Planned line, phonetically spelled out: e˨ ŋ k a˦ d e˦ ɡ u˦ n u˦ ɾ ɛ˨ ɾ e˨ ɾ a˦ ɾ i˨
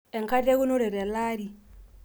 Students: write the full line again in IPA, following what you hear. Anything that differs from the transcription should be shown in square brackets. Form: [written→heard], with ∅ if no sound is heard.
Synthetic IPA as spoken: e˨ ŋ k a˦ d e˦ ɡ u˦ n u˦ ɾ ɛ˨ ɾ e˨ [ɾ→l] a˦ ɾ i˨